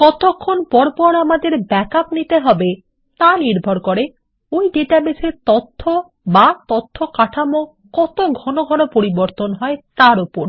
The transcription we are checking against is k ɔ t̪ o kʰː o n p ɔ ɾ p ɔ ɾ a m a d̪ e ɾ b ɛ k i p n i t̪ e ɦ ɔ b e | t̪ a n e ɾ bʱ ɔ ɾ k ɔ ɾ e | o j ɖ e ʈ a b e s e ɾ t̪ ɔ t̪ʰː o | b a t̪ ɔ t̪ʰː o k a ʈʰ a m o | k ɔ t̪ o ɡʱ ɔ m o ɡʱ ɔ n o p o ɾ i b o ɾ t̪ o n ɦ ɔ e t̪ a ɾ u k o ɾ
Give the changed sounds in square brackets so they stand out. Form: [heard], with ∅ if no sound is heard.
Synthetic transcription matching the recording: k ɔ t̪ o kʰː o n p ɔ ɾ p ɔ ɾ a m a d̪ e ɾ b ɛ k [a] p n i t̪ e ɦ ɔ b e | t̪ a n [i] ɾ bʱ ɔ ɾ k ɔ ɾ e | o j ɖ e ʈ a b e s e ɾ t̪ ɔ t̪ʰː o | b a t̪ ɔ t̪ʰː o k a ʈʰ a m o | k ɔ t̪ o ɡʱ ɔ [n] o ɡʱ ɔ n o p o ɾ i b o ɾ t̪ o n ɦ ɔ e t̪ a ɾ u [p] o ɾ